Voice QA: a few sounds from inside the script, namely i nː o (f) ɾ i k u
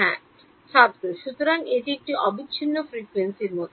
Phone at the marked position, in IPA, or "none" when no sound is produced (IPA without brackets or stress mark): f